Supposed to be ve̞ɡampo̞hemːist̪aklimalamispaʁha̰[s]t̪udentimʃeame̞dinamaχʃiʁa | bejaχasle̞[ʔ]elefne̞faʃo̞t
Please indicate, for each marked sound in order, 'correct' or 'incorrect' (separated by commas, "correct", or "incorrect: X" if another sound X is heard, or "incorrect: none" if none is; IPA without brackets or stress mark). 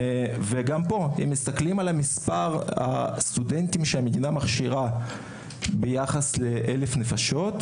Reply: correct, correct